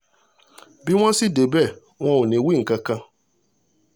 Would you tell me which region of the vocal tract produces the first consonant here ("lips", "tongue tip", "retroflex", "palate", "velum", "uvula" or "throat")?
lips